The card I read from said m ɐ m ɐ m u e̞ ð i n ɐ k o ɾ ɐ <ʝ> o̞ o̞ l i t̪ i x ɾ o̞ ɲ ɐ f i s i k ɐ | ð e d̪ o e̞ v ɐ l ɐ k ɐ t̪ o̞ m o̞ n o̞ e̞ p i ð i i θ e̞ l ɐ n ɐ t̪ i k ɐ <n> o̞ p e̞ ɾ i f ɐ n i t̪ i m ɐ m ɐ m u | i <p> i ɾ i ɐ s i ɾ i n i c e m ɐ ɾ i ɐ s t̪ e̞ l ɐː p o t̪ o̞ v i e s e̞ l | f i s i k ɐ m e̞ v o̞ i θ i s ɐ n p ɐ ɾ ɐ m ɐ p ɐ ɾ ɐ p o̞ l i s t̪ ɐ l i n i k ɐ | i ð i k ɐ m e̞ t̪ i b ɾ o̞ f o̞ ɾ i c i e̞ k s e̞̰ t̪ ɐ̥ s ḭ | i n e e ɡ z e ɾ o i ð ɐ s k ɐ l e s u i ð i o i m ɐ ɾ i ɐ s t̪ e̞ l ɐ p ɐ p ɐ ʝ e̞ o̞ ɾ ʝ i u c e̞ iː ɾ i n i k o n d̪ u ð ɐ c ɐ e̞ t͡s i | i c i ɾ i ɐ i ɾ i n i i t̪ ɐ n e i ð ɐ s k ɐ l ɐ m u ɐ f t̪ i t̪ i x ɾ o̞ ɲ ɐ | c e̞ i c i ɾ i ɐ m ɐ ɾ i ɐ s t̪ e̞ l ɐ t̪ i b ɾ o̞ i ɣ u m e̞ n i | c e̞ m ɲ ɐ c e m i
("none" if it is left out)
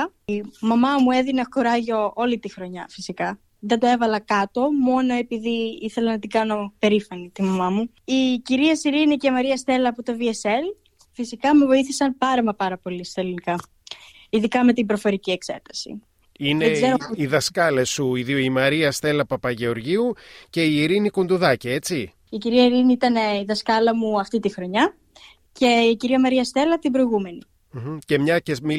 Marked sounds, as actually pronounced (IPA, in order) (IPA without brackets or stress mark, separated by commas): ʝ, n, c